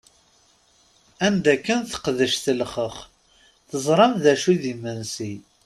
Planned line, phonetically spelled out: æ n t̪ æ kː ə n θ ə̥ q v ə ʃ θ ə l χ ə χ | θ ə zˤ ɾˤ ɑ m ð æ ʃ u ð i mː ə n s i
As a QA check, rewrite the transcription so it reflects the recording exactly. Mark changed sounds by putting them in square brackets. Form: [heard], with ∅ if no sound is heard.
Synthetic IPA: æ n [d̪] æ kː ə n θ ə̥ q [ð] ə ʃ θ ə l χ ə χ | θ ə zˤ ɾˤ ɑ m ð æ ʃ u ð i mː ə n s i

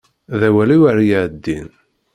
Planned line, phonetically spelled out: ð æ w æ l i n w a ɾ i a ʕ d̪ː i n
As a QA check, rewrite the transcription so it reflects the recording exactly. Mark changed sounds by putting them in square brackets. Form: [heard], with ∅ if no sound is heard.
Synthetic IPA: ð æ w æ l i [∅] w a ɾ [j] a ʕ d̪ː i n

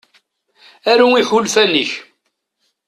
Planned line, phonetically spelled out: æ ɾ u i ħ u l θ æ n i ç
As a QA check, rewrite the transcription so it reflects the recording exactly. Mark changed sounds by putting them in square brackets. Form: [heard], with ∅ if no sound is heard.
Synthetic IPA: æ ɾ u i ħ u l [f] æ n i ç

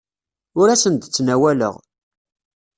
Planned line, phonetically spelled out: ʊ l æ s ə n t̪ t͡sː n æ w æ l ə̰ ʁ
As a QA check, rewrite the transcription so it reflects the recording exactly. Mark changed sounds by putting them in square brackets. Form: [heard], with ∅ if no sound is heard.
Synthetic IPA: ʊ [ɾ] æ s ə n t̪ t͡sː n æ w æ l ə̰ ʁ

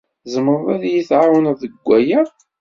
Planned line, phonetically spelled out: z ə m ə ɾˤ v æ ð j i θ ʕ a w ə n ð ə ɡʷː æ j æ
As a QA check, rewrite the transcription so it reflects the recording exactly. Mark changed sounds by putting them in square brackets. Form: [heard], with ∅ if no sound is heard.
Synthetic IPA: z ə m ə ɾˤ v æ ð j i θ ʕ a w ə n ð ə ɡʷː æ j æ

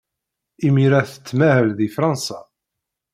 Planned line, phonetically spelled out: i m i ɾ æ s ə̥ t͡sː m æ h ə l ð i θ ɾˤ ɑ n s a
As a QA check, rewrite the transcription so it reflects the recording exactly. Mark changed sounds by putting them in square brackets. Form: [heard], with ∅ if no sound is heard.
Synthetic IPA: i m i ɾ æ [θ] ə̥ t͡sː m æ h ə l ð i [f] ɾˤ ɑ n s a

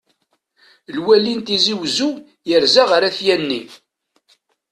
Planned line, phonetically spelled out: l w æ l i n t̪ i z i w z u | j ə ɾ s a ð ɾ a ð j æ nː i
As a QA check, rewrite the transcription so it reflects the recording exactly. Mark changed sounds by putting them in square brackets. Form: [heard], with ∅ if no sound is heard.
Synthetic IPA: l w æ l i n t̪ i z i w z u | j ə ɾ [z] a [ʁ] ɾ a [θ] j æ nː i

